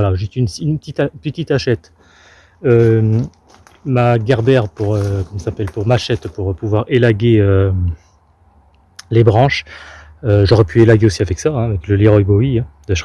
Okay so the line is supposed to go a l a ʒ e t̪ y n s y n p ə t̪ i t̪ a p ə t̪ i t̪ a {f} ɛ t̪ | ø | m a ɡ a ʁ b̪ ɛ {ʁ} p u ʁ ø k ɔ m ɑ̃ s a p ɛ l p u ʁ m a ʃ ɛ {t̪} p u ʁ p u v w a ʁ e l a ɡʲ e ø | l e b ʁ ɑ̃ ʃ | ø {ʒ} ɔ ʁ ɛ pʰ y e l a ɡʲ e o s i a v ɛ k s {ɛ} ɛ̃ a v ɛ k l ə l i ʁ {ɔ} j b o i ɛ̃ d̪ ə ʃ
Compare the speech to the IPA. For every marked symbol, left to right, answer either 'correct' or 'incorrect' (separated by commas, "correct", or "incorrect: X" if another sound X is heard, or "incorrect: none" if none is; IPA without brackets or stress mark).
incorrect: ʃ, correct, correct, correct, incorrect: a, correct